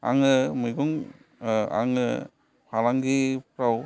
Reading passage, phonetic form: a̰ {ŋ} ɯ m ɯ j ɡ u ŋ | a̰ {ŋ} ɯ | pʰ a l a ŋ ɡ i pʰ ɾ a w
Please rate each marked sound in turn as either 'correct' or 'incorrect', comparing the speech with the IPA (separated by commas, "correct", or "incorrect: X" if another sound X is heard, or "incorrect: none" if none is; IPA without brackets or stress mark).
correct, correct